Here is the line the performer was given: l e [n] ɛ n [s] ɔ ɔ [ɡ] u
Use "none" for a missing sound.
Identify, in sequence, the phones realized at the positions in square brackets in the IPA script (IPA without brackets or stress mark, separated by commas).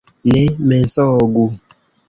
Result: m, s, ɡ